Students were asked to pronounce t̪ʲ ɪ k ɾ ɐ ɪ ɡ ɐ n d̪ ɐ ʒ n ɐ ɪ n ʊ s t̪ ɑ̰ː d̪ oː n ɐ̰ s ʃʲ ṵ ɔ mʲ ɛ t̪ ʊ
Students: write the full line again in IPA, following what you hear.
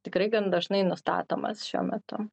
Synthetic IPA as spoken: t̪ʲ ɪ k ɾ ɐ ɪ ɡ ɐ n d̪ ɐ ʒ n ɐ ɪ n ʊ s t̪ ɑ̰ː t̪ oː m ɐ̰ s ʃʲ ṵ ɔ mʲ ɛ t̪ ʊ